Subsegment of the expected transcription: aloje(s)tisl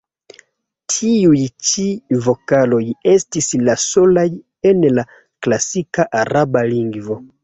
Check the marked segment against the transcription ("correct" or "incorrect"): correct